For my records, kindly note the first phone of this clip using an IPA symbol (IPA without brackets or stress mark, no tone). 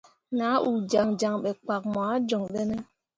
n